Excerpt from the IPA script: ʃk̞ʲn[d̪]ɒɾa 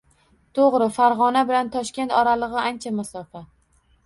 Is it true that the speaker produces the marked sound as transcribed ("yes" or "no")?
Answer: no